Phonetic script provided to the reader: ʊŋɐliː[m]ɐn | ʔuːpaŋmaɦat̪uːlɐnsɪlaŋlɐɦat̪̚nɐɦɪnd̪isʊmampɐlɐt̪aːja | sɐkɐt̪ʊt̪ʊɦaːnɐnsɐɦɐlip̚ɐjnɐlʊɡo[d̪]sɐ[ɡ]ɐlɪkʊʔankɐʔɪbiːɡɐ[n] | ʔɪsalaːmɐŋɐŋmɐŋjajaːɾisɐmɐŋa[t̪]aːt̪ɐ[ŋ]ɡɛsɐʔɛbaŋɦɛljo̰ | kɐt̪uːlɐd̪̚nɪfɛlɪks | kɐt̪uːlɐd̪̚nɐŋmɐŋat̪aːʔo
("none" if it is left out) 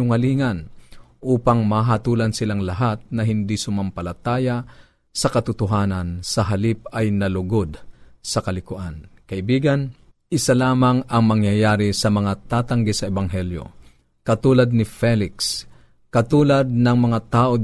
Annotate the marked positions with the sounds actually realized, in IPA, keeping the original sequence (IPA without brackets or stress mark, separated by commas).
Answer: ŋ, d̪, k, n, t̪, ŋ